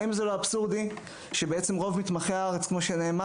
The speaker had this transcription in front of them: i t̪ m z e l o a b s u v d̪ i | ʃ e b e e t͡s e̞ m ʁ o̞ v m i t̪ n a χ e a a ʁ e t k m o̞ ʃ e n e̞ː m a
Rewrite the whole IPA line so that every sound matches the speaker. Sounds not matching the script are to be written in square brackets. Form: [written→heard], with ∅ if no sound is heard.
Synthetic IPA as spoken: i [t̪→∅] m z e l o a b s u [v→ʁ] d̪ i | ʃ e b e e t͡s e̞ m ʁ o̞ v m i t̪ [n→m] a χ e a a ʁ e [t→t͡s] k m o̞ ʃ e n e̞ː m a